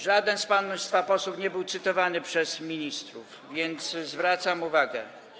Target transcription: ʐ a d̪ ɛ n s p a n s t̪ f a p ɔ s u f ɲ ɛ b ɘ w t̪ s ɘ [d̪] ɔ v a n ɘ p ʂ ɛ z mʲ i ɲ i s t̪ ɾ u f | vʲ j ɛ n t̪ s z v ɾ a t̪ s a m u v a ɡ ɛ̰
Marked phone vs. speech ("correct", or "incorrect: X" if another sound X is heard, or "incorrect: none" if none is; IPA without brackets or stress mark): incorrect: t̪